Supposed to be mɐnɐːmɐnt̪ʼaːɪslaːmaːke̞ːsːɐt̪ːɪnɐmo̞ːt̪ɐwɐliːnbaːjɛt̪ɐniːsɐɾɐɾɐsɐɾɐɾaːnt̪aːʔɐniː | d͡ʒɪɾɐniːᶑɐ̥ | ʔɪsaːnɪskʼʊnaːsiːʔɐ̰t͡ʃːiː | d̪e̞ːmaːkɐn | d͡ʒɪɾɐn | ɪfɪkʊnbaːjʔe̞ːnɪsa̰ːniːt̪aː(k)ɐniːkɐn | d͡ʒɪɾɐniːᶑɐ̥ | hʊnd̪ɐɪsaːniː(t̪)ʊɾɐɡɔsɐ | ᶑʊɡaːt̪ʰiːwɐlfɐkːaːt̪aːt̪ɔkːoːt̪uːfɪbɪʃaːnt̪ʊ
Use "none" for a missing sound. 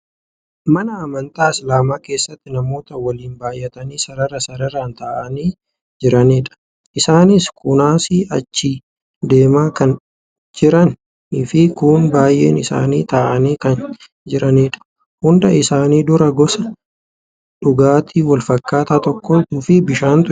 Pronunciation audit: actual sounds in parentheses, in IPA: ʔ, d̪

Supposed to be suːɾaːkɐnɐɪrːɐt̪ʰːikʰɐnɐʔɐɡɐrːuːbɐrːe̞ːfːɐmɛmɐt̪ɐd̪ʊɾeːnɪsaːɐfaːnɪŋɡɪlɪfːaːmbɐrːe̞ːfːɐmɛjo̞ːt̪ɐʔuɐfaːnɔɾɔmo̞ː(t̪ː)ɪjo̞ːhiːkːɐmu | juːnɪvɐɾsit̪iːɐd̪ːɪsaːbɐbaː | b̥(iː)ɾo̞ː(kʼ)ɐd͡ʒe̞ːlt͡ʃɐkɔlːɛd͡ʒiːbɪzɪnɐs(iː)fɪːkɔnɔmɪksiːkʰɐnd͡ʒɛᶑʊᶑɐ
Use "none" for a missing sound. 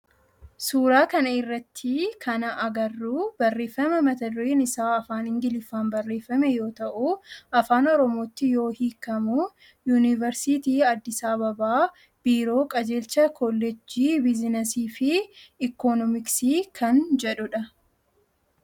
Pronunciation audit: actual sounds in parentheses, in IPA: t̪ː, iː, kʼ, iː

